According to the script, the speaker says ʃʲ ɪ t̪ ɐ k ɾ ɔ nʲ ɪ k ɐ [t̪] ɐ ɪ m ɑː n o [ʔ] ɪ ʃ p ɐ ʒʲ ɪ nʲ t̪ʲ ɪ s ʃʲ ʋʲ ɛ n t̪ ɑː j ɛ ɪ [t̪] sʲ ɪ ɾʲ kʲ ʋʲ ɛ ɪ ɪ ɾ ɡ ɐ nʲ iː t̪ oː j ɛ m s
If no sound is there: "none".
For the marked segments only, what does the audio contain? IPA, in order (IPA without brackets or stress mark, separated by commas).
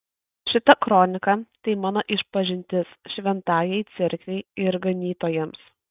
t̪, ʔ, t̪